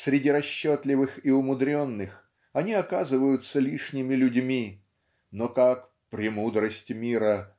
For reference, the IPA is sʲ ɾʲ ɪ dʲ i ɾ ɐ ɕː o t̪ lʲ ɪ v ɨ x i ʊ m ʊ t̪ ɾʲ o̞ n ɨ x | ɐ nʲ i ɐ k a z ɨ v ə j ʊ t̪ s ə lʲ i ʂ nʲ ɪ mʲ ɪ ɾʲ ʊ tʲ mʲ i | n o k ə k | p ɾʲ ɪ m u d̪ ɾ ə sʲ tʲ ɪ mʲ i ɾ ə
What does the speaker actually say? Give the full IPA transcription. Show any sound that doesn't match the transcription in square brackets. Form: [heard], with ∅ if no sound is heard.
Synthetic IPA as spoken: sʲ ɾʲ ɪ dʲ i ɾ ɐ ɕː o t̪ lʲ ɪ v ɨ x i ʊ m ʊ [d̪] ɾʲ o̞ [nː] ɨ x | ɐ nʲ i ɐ k a z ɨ v ə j ʊ t̪ s ə lʲ i ʂ nʲ ɪ mʲ ɪ [lʲ] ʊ [dʲ] mʲ i | n o k [a] k | p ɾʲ ɪ m u d̪ ɾ ə sʲ tʲ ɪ mʲ i ɾ ə